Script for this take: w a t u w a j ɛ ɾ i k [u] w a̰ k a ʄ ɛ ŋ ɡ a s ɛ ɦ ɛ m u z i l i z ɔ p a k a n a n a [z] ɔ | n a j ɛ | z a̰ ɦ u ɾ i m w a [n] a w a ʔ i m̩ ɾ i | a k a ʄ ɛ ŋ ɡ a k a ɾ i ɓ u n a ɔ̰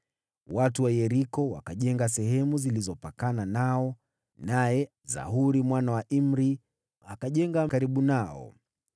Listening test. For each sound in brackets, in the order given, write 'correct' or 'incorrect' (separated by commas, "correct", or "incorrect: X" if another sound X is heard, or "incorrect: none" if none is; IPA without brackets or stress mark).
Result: incorrect: ɔ, incorrect: none, correct